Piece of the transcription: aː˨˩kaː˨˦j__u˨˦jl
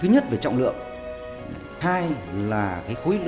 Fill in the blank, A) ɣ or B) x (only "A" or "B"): B